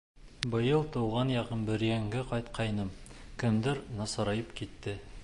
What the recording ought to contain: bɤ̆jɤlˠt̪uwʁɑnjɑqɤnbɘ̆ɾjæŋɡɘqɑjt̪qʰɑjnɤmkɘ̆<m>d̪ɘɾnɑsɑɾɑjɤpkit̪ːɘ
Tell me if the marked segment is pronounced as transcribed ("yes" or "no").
yes